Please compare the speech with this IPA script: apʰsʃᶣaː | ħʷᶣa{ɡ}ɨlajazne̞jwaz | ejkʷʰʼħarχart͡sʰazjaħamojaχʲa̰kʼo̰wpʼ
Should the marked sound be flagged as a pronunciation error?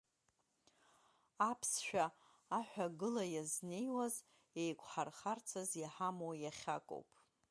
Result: no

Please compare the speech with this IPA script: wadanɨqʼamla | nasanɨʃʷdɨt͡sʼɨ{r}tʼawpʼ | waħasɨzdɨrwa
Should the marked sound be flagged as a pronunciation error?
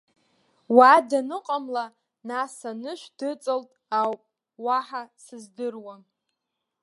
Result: yes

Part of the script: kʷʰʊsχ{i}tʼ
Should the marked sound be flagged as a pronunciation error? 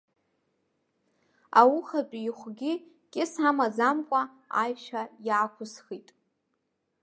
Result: no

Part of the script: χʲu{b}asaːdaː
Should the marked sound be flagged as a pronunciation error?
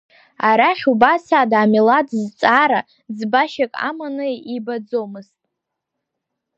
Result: no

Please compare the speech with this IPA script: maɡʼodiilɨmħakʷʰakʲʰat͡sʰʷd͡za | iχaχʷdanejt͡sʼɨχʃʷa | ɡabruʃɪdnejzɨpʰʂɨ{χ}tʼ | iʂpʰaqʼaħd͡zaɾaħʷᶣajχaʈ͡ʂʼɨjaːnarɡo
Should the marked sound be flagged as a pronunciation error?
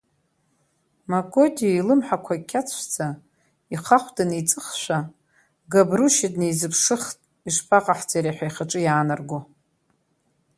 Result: no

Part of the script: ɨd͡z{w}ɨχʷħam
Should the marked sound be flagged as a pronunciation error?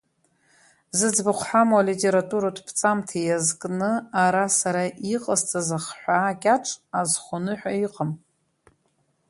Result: yes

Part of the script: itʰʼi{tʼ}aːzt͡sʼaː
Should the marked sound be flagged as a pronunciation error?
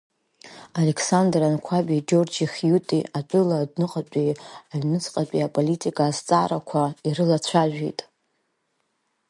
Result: yes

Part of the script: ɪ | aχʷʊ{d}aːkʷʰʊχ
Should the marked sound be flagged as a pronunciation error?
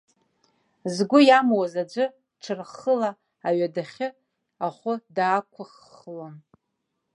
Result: no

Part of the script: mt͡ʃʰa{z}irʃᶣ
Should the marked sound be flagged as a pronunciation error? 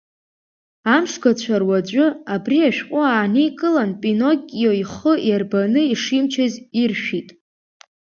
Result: no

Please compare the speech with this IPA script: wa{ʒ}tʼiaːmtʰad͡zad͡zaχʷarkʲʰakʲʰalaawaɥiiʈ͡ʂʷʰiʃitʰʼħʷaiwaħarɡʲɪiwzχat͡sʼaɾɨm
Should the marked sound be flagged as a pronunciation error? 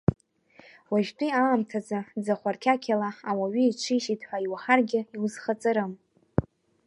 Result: no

